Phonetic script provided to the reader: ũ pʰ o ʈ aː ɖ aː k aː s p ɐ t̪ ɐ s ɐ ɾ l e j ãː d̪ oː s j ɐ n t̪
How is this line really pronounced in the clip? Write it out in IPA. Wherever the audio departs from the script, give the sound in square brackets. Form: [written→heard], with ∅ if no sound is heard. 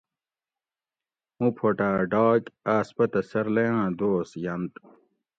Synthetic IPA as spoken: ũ pʰ o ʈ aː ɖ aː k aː s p ɐ t̪ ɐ s ɐ ɾ l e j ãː d̪ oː s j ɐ n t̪